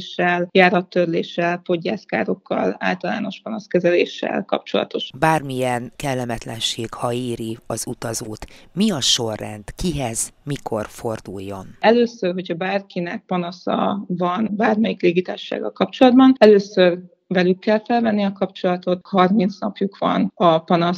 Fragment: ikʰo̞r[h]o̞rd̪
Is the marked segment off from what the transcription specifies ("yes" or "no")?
yes